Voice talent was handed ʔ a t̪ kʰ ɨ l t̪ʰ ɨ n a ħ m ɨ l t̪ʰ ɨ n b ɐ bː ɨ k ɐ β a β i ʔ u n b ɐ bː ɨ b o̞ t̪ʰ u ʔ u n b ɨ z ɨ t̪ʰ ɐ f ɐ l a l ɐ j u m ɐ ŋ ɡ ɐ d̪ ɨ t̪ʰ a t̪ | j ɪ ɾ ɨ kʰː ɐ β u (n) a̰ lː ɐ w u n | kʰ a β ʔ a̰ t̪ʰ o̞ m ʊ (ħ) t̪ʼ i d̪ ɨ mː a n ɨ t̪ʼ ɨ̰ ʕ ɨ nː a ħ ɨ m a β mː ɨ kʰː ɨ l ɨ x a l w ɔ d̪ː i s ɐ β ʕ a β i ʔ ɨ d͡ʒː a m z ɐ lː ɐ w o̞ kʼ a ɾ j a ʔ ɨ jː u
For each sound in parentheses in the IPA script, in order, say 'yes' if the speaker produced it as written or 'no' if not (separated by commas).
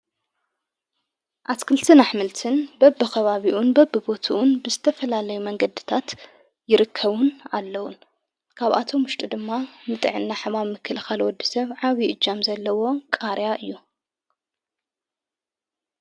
yes, no